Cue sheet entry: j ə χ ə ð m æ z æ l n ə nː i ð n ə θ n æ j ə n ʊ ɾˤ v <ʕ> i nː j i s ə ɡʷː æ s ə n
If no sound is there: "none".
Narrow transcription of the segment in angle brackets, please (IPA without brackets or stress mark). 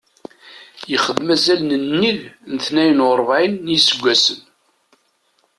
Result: ʕ